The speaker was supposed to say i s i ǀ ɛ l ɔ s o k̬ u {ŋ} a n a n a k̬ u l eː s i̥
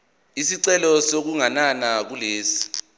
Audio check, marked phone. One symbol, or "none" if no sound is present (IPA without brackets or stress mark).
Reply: ŋ